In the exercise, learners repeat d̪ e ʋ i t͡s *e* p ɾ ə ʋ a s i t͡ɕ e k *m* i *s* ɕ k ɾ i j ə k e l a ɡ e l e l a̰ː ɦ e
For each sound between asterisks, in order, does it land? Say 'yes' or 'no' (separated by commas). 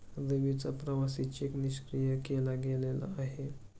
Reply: no, no, no